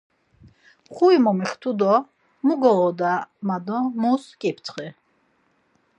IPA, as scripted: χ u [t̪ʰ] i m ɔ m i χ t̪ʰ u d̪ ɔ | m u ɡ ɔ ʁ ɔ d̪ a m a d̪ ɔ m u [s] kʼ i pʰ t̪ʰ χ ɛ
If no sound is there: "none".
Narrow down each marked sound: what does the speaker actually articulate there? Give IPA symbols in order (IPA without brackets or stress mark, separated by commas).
none, s